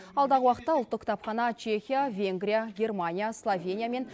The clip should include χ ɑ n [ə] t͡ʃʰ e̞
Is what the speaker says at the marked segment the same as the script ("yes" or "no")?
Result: no